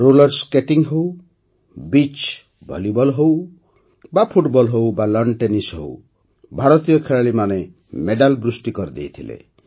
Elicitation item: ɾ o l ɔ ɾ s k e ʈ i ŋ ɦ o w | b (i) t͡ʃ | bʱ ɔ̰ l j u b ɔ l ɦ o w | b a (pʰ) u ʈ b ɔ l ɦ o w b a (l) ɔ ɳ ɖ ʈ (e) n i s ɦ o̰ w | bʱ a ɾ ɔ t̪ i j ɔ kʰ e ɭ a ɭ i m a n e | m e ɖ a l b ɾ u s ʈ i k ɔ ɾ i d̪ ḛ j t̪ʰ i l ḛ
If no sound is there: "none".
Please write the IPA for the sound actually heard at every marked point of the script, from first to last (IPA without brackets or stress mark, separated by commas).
i, pʰ, l, e